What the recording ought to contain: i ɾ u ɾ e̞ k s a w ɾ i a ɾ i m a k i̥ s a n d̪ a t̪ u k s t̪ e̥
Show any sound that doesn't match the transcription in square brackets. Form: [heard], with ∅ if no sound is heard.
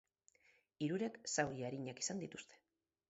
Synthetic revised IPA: i ɾ u ɾ e̞ k s a w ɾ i a ɾ i [ɲ] a k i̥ s a n d̪ [i] t̪ u [∅] s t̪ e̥